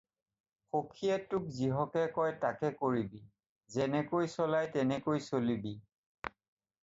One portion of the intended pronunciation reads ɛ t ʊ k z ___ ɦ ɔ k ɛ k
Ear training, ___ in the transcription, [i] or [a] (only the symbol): i